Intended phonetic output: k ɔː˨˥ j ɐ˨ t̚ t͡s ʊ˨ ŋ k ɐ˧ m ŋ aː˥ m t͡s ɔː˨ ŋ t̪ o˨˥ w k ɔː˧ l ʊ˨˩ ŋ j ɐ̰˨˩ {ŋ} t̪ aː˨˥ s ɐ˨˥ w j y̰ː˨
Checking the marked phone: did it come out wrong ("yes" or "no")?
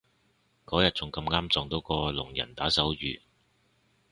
yes